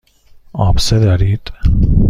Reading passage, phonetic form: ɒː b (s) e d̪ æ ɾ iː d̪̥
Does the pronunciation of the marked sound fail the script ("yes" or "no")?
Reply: no